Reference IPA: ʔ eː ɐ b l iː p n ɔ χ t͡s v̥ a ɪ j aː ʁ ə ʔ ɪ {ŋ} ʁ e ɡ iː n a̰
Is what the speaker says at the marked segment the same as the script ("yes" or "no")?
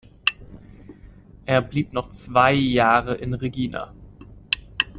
no